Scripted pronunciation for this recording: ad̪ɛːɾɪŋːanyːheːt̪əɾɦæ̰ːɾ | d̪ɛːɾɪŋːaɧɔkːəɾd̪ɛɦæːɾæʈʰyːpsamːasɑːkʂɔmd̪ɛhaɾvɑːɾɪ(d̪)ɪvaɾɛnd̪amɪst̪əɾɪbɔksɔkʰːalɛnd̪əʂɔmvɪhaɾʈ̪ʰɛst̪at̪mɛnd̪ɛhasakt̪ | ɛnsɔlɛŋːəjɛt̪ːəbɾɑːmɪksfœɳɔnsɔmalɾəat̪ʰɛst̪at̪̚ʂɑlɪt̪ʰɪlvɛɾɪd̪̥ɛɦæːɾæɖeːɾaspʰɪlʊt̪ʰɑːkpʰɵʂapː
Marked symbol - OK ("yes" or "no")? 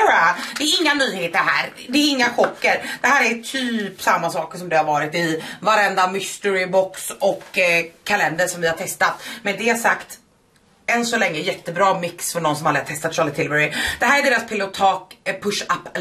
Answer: no